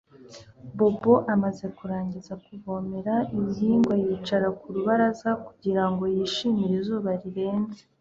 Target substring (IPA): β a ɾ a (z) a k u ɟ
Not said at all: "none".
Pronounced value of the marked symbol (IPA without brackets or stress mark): z